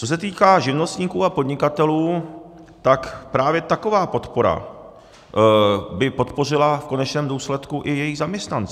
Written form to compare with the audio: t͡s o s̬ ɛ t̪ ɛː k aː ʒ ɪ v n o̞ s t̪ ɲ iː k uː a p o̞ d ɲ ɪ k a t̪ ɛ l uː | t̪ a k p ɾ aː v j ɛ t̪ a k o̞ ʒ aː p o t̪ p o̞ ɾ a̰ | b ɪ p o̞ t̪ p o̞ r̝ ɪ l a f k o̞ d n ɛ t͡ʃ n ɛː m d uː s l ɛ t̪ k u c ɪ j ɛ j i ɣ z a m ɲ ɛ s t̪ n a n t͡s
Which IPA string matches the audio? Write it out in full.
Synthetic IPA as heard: t͡s o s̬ ɛ t̪ iː k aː ʒ ɪ v n o̞ s t̪ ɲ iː k uː a p o̞ d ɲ ɪ k a t̪ ɛ l uː | t̪ a k p ɾ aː v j ɛ t̪ a k o̞ v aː p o t̪ p o̞ ɾ a̰ | b ɪ p o̞ t̪ p o̞ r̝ ɪ l a f k o̞ n ɛ t͡ʃ n ɛː m d uː s l ɛ t̪ k u ʔ ɪ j ɛ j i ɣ z a m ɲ ɛ s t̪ n a n t͡s